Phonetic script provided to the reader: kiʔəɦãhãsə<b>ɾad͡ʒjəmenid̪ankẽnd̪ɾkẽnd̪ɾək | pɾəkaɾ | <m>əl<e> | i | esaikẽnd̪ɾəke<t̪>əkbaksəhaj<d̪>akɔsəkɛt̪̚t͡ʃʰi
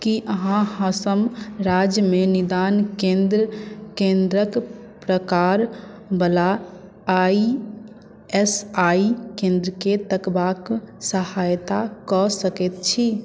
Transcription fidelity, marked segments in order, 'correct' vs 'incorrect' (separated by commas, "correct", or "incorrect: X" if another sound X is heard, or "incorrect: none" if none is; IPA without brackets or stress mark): incorrect: m, incorrect: b, incorrect: a, correct, incorrect: t̪